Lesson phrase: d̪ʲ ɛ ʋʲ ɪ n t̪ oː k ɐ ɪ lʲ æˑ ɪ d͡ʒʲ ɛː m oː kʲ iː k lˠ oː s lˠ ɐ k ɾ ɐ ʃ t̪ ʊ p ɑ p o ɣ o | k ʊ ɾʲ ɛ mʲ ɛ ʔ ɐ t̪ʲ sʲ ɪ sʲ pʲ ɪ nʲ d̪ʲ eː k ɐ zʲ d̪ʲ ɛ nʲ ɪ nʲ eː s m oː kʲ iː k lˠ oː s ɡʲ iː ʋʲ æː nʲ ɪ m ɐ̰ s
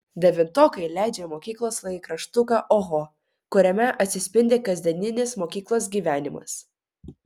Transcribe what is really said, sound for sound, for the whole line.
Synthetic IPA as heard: d̪ʲ ɛ ʋʲ ɪ n t̪ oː k ɐ ɪ lʲ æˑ ɪ d͡ʒʲ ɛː m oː kʲ iː k lˠ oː s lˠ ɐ k ɾ ɐ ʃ t̪ ʊ k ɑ ʔ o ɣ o | k ʊ ɾʲ ɛ mʲ ɛ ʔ ɐ t̪ʲ sʲ ɪ sʲ pʲ ɪ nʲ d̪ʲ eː k ɐ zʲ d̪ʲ ɛ nʲ ɪ nʲ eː s m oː kʲ iː k lˠ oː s ɡʲ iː ʋʲ æː nʲ ɪ m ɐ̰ s

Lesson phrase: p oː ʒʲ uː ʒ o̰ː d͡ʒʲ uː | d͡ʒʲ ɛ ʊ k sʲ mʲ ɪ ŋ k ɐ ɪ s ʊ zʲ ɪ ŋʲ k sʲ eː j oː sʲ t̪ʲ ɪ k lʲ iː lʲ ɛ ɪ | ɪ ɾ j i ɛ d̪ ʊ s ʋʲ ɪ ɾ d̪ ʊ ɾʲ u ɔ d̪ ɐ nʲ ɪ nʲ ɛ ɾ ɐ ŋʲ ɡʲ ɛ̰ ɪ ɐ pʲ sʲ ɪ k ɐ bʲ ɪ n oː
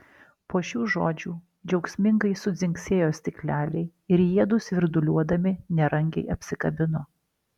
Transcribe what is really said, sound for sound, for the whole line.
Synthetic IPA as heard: p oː ʃʲ uː ʒ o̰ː d͡ʒʲ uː | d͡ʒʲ ɛ ʊ k sʲ mʲ ɪ ŋ ɡ ɐ ɪ s ʊ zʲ ɪ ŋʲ k sʲ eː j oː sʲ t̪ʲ ɪ k lʲ æː lʲ ɛ ɪ | ɪ ɾ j i ɛ d̪ ʊ s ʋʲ ɪ ɾ d̪ ʊ lʲ u ɔ d̪ ɐ mʲ ɪ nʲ ɛ ɾ ɐ ŋʲ ɡʲ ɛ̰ ɪ ɐ pʲ sʲ ɪ k ɐ bʲ ɪ n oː

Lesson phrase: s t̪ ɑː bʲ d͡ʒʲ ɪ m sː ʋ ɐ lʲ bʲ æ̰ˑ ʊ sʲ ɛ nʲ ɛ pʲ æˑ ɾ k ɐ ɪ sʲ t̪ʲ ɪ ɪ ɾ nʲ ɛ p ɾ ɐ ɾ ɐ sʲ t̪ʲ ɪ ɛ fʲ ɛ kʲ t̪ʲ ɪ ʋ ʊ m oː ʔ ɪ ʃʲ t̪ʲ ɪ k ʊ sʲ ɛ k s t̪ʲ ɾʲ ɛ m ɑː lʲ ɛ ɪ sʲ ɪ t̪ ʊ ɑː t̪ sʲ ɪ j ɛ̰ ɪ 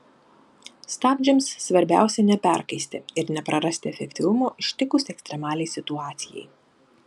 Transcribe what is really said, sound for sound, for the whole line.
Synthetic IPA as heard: s t̪ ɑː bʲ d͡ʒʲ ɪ m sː ʋ ɐ ɾʲ bʲ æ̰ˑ ʊ sʲ ɛ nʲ ɛ pʲ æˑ ɾ k ɐ ɪ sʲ t̪ʲ ɪ ɪ ɾ nʲ ɛ p ɾ ɐ ɾ ɐ sʲ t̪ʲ ɪ ɛ fʲ ɛ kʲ t̪ʲ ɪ ʋ ʊ m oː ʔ ɪ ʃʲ t̪ʲ ɪ k ʊ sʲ ɛ k s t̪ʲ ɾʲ ɛ m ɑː lʲ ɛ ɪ sʲ ɪ t̪ ʊ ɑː t̪ sʲ ɪ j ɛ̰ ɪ

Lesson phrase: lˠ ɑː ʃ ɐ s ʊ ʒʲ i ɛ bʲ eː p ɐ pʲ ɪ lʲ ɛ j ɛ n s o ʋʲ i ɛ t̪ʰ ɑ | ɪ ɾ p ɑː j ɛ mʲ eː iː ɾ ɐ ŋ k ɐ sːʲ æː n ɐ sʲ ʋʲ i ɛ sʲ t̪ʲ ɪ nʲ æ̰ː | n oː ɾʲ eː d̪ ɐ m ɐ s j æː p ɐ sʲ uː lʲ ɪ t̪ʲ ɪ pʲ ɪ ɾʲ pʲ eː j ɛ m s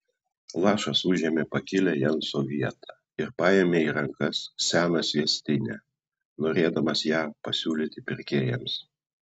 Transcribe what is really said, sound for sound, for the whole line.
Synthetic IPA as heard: lˠ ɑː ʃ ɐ s ʊ ʒʲ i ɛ mʲ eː p ɐ kʲ ɪ lʲ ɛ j ɛ n s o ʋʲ i ɛ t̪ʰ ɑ | ɪ ɾ p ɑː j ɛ mʲ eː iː ɾ ɐ ŋ k ɐ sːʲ æː n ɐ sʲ ʋʲ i ɛ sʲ t̪ʲ ɪ nʲ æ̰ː | n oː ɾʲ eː d̪ ɐ m ɐ s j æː p ɐ sʲ uː lʲ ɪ t̪ʲ ɪ pʲ ɪ ɾʲ kʲ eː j ɛ m s

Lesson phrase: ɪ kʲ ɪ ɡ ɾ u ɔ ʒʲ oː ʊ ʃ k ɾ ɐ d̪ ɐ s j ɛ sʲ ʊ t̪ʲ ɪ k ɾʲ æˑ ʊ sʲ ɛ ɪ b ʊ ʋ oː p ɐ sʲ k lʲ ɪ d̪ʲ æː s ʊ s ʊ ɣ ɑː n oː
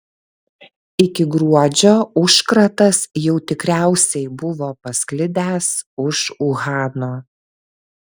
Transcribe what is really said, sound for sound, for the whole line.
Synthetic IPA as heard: ɪ kʲ ɪ ɡ ɾ u ɔ d͡ʒʲ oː ʊ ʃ k ɾ ɐ t̪ ɐ s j ɛ ʊ t̪ʲ ɪ k ɾʲ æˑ ʊ sʲ ɛ ɪ b ʊ ʋ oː p ɐ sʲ k lʲ ɪ d̪ʲ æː s ʊ ʃ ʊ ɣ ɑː n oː

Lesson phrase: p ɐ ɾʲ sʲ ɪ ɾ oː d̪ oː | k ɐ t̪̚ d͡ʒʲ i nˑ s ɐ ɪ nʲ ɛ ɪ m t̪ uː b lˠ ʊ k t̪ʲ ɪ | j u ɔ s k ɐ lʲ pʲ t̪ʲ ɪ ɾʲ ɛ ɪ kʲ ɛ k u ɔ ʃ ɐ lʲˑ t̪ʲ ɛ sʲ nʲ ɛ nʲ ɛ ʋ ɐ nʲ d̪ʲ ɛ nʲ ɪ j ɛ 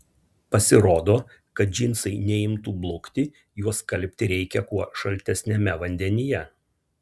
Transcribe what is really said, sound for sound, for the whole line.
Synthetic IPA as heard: p ɐ sʲ ɪ ɾ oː d̪ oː | k ɐ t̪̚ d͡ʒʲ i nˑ s ɐ ɪ nʲ ɛ ɪ m t̪ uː b lˠ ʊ k t̪ʲ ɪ | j u ɔ s k ɐ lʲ pʲ t̪ʲ ɪ ɾʲ ɛ ɪ kʲ ɛ k u ɔ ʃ ɐ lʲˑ t̪ʲ ɛ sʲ nʲ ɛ mʲ ɛ ʋ ɐ nʲ d̪ʲ ɛ nʲ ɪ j ɛ

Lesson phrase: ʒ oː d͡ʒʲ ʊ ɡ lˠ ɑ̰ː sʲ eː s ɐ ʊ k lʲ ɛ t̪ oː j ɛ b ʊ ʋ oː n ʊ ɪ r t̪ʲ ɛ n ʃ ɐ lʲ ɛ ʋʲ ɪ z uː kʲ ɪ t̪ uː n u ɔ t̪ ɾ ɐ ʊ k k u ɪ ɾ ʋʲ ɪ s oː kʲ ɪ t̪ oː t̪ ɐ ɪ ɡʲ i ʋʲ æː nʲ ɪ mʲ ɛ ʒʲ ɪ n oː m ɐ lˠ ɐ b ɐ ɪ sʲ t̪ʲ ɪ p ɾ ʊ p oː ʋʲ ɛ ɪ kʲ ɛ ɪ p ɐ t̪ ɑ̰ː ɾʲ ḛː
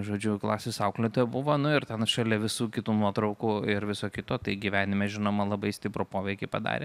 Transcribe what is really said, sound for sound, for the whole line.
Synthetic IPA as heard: ʒ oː d͡ʒʲ ʊ k lˠ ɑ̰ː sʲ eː s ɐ ʊ k lʲ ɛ t̪ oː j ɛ b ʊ ʋ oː n ʊ ɪ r t̪ʲ ɛ n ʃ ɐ lʲ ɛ ʋʲ ɪ s uː kʲ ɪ t̪ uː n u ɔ t̪ ɾ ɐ ʊ k k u ɪ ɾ ʋʲ ɪ s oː kʲ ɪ t̪ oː t̪ ɐ ɪ ɡʲ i ʋʲ æː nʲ ɪ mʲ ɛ ʒʲ ɪ n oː m ɐ lˠ ɐ b ɐ ɪ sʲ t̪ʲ ɪ p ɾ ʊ p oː ʋʲ ɛ ɪ kʲ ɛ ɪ p ɐ d̪ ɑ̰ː ɾʲ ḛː

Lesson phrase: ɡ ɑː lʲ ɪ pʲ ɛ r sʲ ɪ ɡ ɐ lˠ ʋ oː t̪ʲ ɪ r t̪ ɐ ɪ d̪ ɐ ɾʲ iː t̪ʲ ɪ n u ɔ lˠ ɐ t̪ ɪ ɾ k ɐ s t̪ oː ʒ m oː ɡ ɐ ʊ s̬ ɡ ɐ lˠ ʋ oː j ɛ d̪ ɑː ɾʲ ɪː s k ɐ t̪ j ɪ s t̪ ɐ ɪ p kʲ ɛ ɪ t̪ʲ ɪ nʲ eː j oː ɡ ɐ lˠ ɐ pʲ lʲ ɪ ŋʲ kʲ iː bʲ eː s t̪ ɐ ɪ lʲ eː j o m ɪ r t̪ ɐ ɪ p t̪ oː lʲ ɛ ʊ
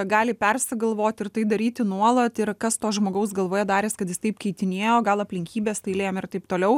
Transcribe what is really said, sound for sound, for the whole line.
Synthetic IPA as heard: ɡ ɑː lʲ ɪ pʲ ɛ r sʲ ɪ ɡ ɐ lˠ ʋ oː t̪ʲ ɪ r t̪ ɐ ɪ d̪ ɐ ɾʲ iː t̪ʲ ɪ n u ɔ lˠ ɐ t̪ ɪ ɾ k ɐ s t̪ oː ʒ m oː ɡ ɐ ʊ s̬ ɡ ɐ lˠ ʋ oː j ɛ d̪ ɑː ɾʲ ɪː s k ɐ t̪ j ɪ s t̪ ɐ ɪ p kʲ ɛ ɪ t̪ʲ ɪ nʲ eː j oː ɡ ɐ lˠ ɐ pʲ lʲ ɪ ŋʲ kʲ iː bʲ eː s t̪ ɐ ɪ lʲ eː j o m ɪ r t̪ ɐ ɪ p t̪ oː lʲ ɛ ʊ

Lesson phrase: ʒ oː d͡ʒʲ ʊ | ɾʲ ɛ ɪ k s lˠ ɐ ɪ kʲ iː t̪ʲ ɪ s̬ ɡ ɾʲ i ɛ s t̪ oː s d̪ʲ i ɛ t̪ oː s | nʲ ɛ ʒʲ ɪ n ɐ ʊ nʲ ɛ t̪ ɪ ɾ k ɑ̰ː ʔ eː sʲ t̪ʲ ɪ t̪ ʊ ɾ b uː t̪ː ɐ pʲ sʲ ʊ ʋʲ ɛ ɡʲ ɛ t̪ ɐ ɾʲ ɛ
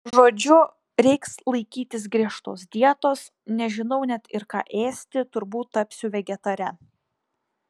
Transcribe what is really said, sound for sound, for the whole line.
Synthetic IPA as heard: ʒ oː d͡ʒʲ ʊ | ɾʲ ɛ ɪ k s lˠ ɐ ɪ kʲ iː t̪ʲ ɪ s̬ ɡ ɾʲ i ɛ ʃ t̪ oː s d̪ʲ i ɛ t̪ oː s | nʲ ɛ ʒʲ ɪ n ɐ ʊ nʲ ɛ t̪ ɪ ɾ k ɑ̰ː ʔ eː sʲ t̪ʲ ɪ t̪ ʊ ɾ b uː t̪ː ɐ pʲ sʲ ʊ ʋʲ ɛ ɡʲ ɛ t̪ ɐ ɾʲ ɛ

